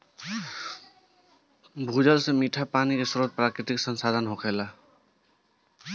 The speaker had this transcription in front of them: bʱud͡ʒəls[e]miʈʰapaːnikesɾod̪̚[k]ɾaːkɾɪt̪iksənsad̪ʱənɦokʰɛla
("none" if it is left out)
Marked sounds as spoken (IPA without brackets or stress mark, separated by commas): e, p